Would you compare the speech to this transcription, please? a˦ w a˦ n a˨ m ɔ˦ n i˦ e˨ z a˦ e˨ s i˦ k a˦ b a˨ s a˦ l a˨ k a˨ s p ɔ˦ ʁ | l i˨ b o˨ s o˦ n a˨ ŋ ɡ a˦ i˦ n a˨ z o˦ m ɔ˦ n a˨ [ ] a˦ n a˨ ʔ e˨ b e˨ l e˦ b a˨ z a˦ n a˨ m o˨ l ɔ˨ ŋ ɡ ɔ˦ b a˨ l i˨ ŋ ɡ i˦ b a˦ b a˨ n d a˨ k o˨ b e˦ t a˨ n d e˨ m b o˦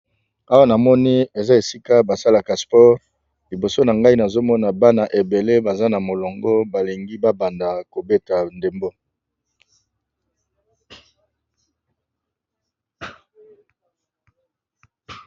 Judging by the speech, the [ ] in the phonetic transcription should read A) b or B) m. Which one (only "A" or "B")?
A